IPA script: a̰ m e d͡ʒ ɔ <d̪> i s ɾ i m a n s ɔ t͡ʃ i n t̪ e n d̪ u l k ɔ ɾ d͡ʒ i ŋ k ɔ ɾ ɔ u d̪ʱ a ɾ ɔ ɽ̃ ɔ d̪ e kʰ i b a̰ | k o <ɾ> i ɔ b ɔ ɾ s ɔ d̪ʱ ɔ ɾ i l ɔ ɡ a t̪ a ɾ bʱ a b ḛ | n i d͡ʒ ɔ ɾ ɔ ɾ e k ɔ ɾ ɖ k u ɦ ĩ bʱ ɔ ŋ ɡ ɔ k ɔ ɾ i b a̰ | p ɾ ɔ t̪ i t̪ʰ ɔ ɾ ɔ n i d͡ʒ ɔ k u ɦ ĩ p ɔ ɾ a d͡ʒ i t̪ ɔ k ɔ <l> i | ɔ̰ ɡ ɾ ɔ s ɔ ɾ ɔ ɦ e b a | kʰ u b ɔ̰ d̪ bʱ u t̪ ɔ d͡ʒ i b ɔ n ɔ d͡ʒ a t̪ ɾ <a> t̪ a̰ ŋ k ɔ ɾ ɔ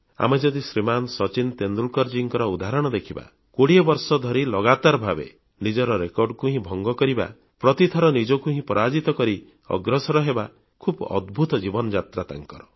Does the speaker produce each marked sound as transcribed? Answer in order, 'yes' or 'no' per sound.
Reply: yes, no, no, yes

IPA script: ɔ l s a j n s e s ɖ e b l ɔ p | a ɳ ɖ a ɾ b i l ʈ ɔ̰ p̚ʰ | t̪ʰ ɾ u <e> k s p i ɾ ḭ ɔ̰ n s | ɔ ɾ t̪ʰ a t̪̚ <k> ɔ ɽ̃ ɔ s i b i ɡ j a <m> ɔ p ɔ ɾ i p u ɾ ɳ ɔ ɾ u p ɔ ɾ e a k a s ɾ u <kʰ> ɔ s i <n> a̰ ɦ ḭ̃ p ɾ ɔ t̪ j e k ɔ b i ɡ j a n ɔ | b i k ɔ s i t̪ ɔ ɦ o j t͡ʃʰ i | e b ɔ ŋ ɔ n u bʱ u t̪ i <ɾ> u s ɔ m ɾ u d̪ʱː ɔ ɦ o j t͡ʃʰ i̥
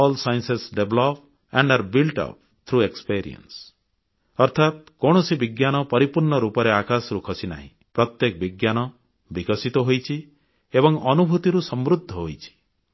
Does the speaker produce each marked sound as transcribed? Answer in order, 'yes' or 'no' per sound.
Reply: yes, yes, no, yes, yes, yes

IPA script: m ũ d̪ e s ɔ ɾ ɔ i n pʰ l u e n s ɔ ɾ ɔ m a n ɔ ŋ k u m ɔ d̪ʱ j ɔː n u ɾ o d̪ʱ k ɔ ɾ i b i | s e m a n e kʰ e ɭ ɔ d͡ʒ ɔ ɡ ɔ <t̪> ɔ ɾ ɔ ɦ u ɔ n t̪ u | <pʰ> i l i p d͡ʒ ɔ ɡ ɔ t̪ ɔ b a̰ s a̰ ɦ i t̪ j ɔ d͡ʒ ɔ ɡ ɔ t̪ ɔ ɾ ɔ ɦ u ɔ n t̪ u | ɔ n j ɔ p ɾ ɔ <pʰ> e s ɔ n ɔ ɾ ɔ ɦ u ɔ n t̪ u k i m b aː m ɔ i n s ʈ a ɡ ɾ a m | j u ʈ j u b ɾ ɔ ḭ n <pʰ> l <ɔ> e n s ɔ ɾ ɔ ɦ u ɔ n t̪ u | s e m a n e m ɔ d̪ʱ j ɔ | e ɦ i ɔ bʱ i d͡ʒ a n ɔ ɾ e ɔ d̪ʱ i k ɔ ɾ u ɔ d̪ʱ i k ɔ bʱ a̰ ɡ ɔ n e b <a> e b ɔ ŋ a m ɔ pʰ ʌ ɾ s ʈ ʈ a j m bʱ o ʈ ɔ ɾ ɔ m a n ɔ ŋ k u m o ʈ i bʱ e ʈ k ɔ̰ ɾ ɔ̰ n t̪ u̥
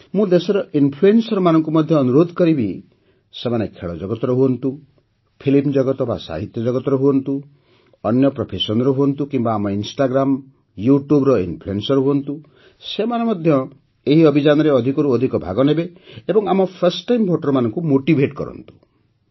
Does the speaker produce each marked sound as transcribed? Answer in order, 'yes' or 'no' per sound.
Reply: yes, yes, yes, yes, no, no

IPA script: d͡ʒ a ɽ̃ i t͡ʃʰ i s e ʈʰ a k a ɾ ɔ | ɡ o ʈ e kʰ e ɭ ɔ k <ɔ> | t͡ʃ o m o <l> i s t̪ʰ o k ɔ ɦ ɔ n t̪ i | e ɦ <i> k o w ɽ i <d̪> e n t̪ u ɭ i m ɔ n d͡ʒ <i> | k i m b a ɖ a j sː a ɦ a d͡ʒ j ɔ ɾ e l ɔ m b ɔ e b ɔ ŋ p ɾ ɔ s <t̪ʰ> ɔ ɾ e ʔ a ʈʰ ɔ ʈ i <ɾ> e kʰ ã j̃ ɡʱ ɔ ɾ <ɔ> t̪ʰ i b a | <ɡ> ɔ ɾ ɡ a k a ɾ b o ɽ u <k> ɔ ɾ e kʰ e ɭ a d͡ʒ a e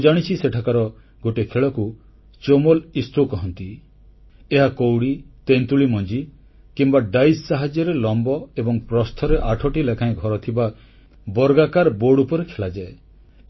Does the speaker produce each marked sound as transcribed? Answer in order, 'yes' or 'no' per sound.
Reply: no, yes, no, no, yes, yes, no, yes, no, no

